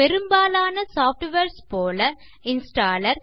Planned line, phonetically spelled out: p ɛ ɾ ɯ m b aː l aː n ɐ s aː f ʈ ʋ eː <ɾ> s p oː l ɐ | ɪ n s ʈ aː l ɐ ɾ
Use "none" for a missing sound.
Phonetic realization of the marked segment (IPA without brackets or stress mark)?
ɾ